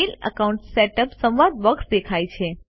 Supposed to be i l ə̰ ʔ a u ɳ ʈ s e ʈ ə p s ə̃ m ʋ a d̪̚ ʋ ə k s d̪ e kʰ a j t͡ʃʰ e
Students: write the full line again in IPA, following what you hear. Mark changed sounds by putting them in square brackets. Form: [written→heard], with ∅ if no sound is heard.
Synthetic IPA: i l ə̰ [ʔ→k] a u ɳ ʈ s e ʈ ə p s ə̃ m ʋ a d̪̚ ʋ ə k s d̪ e kʰ a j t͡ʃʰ e